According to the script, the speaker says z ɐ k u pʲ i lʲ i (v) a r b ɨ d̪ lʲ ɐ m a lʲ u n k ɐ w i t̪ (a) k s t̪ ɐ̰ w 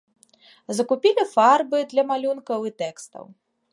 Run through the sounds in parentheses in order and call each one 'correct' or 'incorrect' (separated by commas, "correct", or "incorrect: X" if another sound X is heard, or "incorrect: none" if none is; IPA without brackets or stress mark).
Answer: incorrect: f, incorrect: ɛ